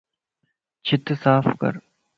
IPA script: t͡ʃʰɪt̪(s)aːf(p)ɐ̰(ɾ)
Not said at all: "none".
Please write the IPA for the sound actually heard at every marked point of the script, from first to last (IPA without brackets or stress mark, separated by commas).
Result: s, k, ɾ